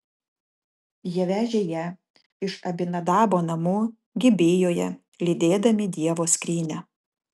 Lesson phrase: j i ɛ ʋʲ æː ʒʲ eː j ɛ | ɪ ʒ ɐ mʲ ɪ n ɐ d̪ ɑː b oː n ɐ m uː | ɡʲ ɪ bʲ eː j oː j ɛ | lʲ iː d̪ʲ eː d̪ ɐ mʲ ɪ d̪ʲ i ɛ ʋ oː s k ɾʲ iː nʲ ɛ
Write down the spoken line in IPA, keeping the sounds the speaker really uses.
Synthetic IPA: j i ɛ ʋʲ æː ʒʲ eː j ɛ | ɪ ʃ ɐ bʲ ɪ n ɐ d̪ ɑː b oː n ɐ m uː | ɡʲ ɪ bʲ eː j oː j ɛ | lʲ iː d̪ʲ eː d̪ ɐ mʲ ɪ d̪ʲ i ɛ ʋ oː s k ɾʲ iː nʲ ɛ